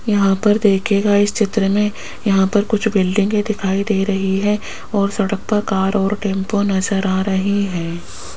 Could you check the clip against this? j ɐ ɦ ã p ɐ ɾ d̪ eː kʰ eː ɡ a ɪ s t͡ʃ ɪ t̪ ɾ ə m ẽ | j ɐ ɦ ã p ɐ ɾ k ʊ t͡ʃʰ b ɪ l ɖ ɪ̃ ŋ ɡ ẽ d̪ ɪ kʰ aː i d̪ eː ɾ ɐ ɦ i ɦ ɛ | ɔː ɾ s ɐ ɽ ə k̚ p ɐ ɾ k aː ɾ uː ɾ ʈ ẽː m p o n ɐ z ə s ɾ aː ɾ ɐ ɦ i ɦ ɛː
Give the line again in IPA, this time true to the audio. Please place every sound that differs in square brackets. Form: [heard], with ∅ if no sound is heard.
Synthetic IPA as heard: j ɐ ɦ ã p ɐ ɾ d̪ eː kʰ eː ɡ a ɪ s t͡ʃ ɪ t̪ ɾ ə m ẽ | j ɐ ɦ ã p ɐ ɾ k ʊ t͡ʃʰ b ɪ l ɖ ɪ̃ ŋ ɡ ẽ d̪ ɪ kʰ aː i d̪ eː ɾ ɐ ɦ i ɦ ɛ | ɔː ɾ s ɐ ɽ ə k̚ p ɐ ɾ k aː ɾ [ɔː] ɾ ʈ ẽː m p o n ɐ z ə [∅] ɾ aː ɾ ɐ ɦ i ɦ ɛː

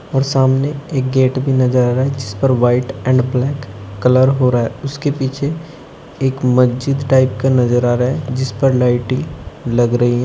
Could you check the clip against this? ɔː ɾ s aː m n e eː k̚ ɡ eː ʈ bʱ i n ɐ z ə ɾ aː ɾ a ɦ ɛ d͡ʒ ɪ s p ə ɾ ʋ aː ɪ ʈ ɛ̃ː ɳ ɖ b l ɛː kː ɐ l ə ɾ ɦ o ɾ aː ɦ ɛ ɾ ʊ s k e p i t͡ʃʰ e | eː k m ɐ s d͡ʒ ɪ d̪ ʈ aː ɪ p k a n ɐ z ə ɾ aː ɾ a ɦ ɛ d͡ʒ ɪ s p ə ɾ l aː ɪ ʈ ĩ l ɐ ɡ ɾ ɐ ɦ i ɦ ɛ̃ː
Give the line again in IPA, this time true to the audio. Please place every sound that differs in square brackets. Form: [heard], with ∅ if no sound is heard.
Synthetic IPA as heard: ɔː ɾ s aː m n e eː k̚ ɡ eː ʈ bʱ i n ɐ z ə ɾ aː ɾ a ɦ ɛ d͡ʒ ɪ s p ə ɾ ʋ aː ɪ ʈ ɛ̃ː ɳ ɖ b l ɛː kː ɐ l ə ɾ ɦ o ɾ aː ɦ ɛ [∅] ʊ s k e p [iː] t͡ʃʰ e | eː k m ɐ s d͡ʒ ɪ d̪ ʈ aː ɪ p k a n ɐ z ə ɾ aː ɾ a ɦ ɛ d͡ʒ ɪ s p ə ɾ l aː ɪ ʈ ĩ l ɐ ɡ ɾ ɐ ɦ i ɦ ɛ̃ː

